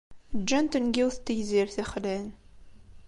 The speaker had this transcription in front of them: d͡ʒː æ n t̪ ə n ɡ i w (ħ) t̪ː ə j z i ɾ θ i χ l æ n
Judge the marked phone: incorrect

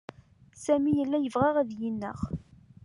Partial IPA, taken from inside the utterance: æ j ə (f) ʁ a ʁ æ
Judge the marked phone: incorrect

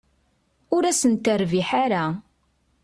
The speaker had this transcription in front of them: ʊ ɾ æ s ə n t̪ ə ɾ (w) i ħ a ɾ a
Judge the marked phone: incorrect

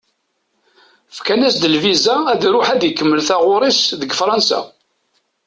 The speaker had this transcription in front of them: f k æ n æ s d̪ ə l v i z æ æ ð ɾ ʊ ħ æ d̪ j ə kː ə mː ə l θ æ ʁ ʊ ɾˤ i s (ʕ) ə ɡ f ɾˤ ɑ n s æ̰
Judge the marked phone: incorrect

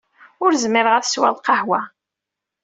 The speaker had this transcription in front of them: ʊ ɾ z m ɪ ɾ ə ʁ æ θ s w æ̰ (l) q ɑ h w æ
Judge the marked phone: correct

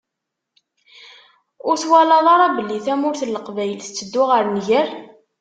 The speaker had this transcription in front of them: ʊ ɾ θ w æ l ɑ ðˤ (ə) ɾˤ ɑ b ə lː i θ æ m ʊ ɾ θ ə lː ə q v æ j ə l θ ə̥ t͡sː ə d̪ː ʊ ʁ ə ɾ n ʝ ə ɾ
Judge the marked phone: incorrect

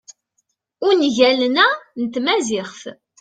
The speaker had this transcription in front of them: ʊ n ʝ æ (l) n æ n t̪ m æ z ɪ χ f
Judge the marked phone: correct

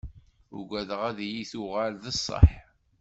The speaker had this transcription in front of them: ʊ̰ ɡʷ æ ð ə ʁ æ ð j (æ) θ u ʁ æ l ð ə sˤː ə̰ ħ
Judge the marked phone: incorrect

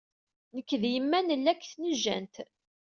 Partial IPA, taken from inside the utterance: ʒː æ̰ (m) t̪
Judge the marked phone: incorrect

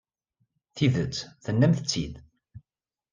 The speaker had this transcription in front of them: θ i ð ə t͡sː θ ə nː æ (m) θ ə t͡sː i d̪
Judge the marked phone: correct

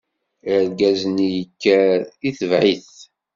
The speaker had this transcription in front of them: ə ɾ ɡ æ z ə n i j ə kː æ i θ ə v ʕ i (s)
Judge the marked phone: incorrect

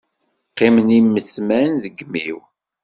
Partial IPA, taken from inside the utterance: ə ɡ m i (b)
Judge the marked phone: incorrect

